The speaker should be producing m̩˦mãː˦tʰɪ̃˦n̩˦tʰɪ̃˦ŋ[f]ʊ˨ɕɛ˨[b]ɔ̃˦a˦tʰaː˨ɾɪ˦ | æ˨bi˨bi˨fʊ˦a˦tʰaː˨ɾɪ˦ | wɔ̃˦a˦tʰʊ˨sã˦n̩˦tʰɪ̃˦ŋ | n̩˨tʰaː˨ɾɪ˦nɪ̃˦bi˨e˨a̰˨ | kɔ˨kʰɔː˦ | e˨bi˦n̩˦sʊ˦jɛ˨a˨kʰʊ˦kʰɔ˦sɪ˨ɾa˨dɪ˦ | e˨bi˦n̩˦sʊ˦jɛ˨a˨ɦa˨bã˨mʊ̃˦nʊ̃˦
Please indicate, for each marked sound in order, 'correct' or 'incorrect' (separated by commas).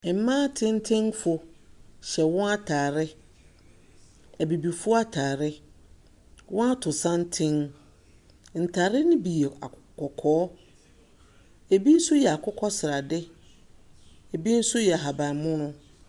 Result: correct, incorrect